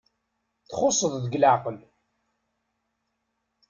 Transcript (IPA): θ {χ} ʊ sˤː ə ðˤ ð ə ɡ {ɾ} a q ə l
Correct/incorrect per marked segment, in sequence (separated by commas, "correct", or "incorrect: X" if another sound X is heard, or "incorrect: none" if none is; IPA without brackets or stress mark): correct, incorrect: l